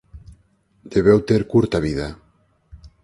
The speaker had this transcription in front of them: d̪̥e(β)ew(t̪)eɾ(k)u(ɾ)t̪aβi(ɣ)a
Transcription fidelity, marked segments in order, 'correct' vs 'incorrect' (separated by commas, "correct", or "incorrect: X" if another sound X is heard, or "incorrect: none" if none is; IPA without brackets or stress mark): correct, correct, correct, correct, incorrect: ð